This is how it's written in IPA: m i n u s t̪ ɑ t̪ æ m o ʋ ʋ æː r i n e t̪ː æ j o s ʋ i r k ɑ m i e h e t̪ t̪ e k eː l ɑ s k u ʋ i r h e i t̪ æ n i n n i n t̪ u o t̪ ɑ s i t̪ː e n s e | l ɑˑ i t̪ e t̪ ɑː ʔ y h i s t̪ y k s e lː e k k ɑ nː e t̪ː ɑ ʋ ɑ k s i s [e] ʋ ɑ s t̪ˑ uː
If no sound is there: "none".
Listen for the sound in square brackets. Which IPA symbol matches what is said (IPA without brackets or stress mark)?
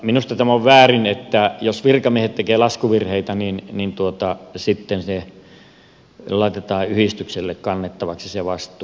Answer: e